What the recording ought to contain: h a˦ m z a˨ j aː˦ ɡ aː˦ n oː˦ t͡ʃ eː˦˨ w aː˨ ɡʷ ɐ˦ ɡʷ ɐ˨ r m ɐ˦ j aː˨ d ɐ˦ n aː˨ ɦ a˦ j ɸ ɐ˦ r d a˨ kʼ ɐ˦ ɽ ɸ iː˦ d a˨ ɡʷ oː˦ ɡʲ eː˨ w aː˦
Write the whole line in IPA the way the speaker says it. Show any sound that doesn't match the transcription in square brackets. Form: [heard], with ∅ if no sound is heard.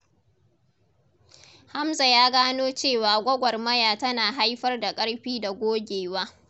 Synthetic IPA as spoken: h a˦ m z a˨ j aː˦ ɡ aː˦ n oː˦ t͡ʃ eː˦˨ w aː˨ ɡʷ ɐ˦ ɡʷ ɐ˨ r m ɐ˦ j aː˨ [t] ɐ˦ n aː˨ ɦ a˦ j ɸ ɐ˦ r d a˨ kʼ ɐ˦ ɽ ɸ iː˦ d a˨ ɡʷ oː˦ ɡʲ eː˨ w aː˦